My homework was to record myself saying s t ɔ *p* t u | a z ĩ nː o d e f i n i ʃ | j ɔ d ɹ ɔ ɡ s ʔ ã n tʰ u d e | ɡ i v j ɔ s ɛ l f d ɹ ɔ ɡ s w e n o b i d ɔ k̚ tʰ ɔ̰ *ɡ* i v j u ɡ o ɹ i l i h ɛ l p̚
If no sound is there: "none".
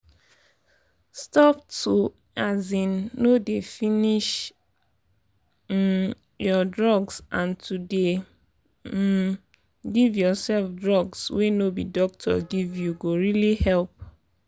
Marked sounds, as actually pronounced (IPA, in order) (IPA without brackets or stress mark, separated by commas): p, ɡ